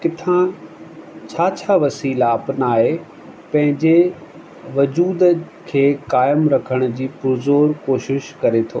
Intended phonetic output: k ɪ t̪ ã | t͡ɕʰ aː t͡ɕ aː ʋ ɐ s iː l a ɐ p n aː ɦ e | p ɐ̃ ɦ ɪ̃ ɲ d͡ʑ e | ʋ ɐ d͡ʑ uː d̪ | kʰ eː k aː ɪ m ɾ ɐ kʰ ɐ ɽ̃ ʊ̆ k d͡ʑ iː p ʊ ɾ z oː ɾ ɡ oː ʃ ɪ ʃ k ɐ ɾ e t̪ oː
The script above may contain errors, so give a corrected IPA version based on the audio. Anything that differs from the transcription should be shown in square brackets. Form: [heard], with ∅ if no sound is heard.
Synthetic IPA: k ɪ [t̪ʰ] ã | t͡ɕʰ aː [t͡ɕʰ] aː ʋ ɐ s iː l a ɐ p n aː ɦ e | p ɐ̃ ɦ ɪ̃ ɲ d͡ʑ e | ʋ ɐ d͡ʑ uː d̪ | kʰ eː k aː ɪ m ɾ ɐ kʰ [ə] ɽ̃ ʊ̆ [∅] d͡ʑ iː p ʊ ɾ z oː ɾ [k] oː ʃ ɪ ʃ k ɐ ɾ e [t̪ʰ] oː